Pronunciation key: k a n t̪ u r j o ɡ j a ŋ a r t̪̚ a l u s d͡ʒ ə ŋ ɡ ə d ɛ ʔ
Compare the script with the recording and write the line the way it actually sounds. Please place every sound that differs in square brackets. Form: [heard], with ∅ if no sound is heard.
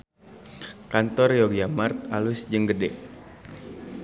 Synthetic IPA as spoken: k a n t̪ [ɔ] r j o ɡ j a [m] a r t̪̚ a l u s d͡ʒ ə ŋ ɡ ə d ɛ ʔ